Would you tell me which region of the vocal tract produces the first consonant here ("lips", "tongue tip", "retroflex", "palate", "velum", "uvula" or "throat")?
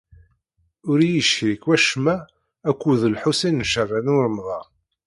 tongue tip